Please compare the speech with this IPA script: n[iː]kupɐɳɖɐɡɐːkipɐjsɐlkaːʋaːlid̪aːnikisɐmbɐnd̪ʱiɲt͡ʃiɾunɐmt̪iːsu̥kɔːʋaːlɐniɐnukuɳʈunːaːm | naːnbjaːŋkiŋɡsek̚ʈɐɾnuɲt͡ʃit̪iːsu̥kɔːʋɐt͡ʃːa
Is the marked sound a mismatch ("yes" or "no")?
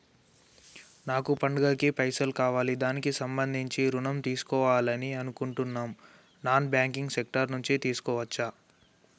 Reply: yes